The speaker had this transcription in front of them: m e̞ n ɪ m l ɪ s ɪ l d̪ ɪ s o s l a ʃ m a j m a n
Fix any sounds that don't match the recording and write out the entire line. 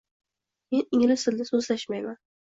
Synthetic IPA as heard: m e̞ n ɪ ŋ l ɪ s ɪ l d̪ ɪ s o z l a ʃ m a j m a n